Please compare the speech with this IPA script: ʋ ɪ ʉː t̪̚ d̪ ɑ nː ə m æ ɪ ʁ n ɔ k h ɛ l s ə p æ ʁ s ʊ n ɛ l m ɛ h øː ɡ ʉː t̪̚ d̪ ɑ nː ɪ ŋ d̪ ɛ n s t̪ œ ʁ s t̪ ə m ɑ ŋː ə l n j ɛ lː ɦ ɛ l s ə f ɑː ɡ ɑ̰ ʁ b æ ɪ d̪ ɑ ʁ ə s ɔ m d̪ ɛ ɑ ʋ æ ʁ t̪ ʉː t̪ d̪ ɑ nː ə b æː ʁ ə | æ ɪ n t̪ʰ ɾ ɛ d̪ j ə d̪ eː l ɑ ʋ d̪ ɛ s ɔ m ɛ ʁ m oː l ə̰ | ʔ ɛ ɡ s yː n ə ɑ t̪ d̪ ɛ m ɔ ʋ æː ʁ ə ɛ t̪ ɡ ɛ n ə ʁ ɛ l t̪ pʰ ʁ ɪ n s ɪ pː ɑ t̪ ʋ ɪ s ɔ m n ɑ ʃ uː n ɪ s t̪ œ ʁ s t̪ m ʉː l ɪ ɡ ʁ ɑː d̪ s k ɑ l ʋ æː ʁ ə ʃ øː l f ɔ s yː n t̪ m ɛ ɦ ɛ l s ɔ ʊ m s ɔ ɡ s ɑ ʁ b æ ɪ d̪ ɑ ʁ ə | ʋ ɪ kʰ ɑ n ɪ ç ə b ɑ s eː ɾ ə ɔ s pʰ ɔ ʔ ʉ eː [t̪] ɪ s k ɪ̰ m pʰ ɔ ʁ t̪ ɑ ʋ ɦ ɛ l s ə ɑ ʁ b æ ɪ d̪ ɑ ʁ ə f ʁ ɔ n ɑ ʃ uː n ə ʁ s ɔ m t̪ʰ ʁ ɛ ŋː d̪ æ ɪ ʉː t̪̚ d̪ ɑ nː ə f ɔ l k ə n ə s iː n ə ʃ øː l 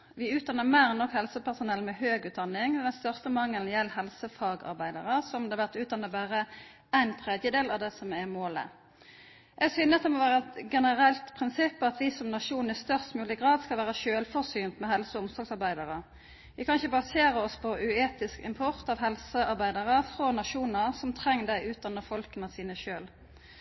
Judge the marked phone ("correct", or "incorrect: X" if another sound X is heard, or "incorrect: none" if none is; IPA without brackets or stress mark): correct